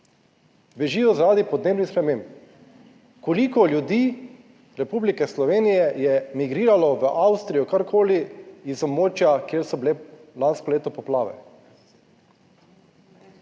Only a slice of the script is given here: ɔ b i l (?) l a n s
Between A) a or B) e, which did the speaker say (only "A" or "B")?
B